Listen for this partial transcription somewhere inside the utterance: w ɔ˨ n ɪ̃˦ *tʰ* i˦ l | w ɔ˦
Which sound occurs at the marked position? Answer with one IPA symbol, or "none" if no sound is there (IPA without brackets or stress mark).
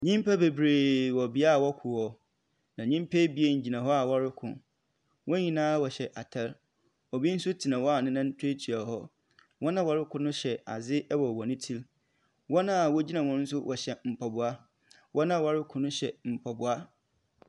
tʰ